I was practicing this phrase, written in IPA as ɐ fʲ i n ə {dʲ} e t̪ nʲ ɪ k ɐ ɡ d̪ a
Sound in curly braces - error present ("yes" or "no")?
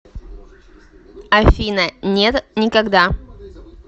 yes